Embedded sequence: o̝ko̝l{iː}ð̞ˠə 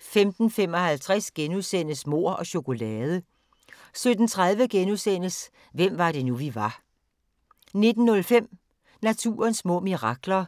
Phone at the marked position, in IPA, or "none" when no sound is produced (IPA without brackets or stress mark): ɛː